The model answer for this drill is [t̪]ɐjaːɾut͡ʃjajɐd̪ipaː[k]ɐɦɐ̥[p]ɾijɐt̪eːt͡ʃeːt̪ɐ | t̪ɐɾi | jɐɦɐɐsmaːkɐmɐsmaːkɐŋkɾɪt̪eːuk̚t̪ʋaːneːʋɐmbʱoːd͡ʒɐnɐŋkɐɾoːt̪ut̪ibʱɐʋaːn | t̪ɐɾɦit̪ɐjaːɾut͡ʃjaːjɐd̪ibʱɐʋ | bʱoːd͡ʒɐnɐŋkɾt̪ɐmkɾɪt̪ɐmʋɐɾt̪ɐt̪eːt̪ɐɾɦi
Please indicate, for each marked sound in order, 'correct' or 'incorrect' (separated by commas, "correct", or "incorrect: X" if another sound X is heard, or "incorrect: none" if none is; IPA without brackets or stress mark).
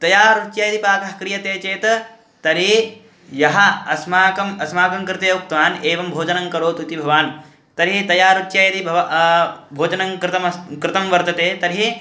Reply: correct, correct, incorrect: k